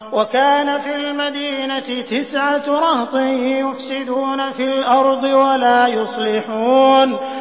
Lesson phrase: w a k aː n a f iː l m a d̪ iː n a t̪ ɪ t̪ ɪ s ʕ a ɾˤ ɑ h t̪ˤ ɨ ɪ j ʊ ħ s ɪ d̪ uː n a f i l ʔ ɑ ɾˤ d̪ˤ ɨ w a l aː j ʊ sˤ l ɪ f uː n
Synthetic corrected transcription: w a k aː n a f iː l m a d̪ iː n a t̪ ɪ t̪ ɪ s ʕ a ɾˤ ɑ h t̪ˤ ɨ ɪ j ʊ f s ɪ d̪ uː n a f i l ʔ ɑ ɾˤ d̪ˤ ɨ w a l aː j ʊ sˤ l ɪ ħ uː n